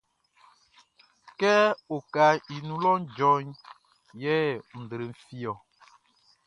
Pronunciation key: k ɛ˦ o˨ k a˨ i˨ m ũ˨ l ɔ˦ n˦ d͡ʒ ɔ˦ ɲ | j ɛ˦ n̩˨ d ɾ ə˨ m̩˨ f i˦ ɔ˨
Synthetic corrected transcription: k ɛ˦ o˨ k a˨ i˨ n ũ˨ l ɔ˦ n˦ d͡ʒ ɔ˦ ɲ | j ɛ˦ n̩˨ d ɾ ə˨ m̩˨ f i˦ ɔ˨